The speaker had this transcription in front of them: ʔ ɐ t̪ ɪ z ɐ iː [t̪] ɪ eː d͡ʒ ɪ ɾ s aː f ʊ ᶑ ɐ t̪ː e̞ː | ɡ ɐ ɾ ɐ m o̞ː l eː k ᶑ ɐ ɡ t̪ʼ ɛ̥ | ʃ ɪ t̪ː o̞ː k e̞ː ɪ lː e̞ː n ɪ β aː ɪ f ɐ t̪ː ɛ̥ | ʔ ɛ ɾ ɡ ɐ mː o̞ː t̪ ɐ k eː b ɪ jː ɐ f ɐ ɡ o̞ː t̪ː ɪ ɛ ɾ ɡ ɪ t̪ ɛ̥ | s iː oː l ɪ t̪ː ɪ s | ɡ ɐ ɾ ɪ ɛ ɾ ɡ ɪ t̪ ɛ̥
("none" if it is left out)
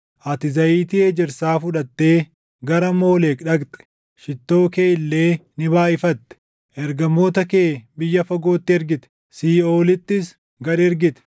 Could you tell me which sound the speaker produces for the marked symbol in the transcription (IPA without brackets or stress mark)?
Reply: t̪